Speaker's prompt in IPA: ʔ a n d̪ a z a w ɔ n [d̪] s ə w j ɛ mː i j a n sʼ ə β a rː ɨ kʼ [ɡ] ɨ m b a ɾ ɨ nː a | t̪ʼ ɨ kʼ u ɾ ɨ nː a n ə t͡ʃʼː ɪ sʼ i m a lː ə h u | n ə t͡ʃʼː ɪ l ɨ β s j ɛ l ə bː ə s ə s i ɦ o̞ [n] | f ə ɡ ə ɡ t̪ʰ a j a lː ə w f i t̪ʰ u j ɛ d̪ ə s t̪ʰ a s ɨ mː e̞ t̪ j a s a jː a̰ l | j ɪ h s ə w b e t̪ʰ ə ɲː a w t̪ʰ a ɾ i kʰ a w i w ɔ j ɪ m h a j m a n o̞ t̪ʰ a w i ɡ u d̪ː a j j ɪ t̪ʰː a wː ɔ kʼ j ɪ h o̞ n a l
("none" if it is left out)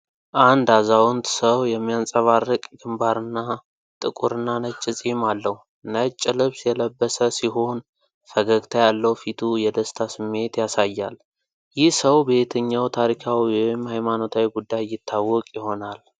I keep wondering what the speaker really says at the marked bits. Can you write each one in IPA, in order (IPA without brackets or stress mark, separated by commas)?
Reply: t̪, ɡ, n